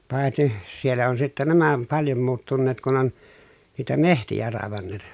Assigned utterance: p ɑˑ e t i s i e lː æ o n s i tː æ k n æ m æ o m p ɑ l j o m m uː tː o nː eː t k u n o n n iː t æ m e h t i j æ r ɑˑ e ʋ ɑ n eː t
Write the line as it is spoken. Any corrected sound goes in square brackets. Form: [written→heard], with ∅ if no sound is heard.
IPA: p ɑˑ e t i s i e lː æ o n s i tː æ [k→∅] n æ m æ o m p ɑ l j o m m uː tː [o→u] nː eː t k u n o n n iː t æ m e h t i j æ r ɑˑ e ʋ ɑ [n→nː] eː t